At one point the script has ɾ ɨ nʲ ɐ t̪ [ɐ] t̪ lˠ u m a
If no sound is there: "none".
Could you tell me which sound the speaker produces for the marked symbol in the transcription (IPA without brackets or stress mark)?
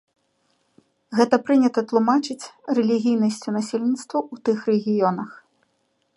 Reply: ɐ